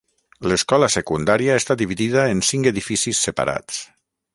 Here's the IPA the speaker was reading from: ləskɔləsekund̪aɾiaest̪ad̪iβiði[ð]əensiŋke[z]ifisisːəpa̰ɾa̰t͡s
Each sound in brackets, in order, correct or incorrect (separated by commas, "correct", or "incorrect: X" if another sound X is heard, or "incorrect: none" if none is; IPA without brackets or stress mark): correct, incorrect: ð